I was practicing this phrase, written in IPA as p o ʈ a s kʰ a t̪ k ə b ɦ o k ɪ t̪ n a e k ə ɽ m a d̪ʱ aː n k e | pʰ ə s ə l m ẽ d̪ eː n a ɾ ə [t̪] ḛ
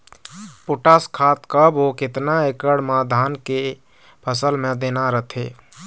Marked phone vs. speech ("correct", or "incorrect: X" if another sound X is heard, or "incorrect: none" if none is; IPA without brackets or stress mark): incorrect: t̪ʰ